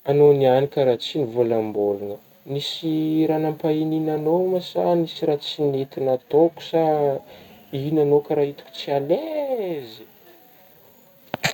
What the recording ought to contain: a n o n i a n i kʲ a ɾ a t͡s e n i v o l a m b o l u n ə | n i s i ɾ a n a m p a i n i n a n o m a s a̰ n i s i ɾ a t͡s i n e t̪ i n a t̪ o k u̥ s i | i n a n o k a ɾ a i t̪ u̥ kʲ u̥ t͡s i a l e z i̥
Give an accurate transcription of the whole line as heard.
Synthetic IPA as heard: a n o n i a n i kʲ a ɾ a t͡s i n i v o l a m b o l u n ə | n i s i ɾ a n a m p a i n i n a n o m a s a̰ n i s i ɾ a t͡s i n e t̪ i n a t̪ o k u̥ s a | i n a n o k a ɾ a i t̪ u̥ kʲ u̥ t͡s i a l e z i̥